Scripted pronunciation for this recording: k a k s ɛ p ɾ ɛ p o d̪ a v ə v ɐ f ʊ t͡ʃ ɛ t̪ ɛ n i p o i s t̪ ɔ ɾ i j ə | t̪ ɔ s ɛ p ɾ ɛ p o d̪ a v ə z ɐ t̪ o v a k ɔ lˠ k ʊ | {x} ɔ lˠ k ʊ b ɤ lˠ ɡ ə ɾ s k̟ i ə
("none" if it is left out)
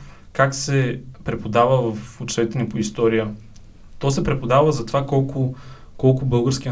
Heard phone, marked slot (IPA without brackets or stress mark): k